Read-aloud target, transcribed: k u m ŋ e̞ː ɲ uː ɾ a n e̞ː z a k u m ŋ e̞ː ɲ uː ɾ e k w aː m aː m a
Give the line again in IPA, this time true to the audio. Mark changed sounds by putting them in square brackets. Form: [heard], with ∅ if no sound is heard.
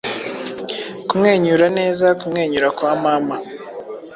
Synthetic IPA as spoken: k u m ŋ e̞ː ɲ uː ɾ a n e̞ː z a k u m ŋ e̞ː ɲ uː ɾ [a] k w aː m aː m a